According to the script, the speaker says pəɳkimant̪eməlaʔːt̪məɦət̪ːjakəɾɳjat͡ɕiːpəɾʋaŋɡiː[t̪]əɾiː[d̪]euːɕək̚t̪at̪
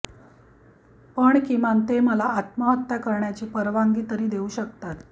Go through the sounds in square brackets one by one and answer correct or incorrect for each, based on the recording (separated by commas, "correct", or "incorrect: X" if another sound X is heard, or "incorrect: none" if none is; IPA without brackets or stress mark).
correct, correct